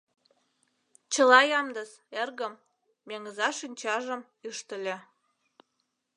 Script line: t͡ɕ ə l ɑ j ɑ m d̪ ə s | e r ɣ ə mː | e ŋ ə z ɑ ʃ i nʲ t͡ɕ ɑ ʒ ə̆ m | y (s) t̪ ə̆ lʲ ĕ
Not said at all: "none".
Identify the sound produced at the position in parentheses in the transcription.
ʃ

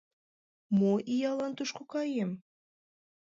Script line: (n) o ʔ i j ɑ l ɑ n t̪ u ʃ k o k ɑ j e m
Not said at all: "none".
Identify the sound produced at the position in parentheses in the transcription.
m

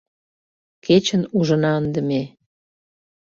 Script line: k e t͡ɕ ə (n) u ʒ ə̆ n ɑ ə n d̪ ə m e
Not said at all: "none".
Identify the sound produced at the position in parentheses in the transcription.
n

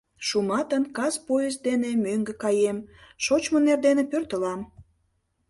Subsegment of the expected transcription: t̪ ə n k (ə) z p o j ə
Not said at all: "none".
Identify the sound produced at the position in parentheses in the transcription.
ɑ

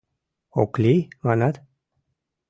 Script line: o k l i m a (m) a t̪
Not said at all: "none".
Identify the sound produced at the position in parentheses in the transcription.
n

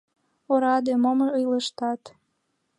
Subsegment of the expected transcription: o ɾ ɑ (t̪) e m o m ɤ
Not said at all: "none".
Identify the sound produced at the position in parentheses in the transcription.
d̪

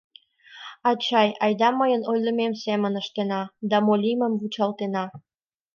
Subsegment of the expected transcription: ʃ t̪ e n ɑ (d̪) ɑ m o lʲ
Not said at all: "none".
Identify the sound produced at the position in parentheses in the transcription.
d̪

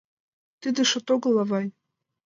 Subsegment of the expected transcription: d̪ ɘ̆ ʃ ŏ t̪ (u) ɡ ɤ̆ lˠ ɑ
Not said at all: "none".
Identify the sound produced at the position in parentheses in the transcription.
o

